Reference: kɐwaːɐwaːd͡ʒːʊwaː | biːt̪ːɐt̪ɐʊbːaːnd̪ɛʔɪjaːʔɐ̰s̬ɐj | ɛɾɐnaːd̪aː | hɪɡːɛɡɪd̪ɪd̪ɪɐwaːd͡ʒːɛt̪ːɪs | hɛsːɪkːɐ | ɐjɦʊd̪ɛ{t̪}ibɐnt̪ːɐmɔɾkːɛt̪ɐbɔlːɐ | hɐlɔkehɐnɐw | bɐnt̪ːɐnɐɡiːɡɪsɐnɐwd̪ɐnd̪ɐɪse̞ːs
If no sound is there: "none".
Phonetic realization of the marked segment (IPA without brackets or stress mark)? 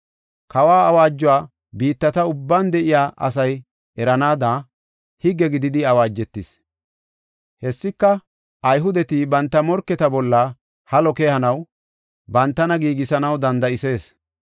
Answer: t̪